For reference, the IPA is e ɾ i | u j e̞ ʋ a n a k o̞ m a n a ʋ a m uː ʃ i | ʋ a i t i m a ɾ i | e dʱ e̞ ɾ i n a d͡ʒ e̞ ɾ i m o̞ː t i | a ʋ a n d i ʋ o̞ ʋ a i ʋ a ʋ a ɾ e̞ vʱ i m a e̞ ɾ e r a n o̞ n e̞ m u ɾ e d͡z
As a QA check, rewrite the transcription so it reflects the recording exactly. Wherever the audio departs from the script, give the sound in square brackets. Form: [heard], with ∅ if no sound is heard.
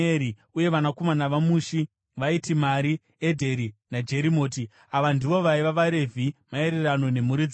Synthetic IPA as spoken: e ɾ i | u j e̞ ʋ a n a k o̞ m a n a ʋ a m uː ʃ i | ʋ a i t i m a ɾ i | e dʱ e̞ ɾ i n a d͡ʒ e̞ ɾ i m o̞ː t i | a ʋ a n d i ʋ o̞ ʋ a i ʋ a ʋ a ɾ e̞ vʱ i m a e̞ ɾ e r a n o̞ n e̞ m u ɾ [i] d͡z